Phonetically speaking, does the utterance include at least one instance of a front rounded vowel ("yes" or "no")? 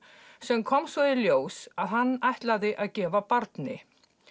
no